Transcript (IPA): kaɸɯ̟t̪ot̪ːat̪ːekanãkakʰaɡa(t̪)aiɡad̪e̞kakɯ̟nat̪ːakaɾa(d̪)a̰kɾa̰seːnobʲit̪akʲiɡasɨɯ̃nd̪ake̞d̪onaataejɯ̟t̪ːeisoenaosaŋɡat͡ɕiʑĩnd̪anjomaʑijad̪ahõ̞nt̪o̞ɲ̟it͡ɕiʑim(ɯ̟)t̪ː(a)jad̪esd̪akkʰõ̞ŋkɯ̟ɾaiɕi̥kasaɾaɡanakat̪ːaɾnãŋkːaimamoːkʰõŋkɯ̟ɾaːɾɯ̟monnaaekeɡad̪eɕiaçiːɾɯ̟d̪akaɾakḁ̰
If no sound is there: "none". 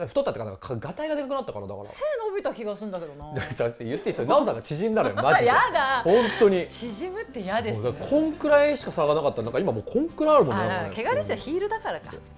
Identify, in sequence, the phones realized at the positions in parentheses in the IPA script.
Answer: t̪, d̪, ɯ̟, e

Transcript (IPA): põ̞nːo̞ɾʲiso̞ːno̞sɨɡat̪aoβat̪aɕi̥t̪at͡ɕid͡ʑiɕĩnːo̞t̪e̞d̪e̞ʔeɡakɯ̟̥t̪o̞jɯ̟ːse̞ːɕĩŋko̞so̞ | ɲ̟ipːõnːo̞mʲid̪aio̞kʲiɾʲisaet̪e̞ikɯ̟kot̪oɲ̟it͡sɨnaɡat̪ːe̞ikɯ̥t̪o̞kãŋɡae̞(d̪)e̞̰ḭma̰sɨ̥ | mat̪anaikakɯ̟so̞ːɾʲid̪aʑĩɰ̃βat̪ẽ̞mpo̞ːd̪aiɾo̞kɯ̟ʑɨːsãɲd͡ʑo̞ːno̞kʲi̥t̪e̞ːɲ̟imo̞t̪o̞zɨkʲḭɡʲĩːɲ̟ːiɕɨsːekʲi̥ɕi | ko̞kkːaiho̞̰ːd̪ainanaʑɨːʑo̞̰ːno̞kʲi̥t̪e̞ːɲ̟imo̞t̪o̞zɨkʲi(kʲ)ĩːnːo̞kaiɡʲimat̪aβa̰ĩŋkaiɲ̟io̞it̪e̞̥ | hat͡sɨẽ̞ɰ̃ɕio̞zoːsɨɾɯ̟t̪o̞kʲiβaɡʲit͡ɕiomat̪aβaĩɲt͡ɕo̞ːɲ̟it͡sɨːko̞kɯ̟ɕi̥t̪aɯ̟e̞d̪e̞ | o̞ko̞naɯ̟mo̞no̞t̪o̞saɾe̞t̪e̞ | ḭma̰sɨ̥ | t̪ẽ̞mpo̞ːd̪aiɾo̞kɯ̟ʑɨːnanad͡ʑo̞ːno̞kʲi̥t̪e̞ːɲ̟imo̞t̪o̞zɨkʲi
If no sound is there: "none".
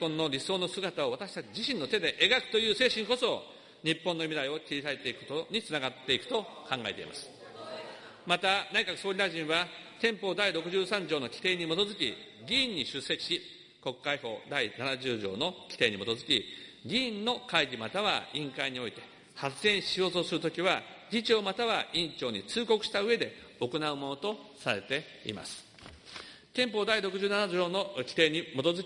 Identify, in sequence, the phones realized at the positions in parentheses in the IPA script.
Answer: t̪, ɡʲ

